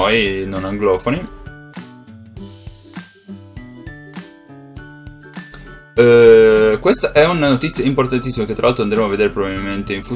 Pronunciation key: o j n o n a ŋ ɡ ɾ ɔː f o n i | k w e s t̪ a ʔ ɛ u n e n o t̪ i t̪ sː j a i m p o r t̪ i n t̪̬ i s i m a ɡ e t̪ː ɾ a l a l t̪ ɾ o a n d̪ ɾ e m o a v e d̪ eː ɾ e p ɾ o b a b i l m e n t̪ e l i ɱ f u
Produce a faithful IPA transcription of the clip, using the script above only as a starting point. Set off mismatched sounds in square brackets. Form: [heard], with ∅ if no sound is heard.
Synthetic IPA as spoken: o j n o n a ŋ ɡ [l] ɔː f o n i | k w e s t̪ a ʔ ɛ u n [a] n o t̪ i t̪ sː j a i m p o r t̪ [a] n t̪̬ i [sː] i m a [k] e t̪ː ɾ a l a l t̪ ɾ o a n d̪ ɾ e m o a v e d̪ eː ɾ e p ɾ o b a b i l m e n t̪ e [∅] i ɱ f u